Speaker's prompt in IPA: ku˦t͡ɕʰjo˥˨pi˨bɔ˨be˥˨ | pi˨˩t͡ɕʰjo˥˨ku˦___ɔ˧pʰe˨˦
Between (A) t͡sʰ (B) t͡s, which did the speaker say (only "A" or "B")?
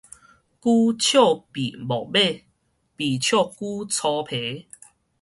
A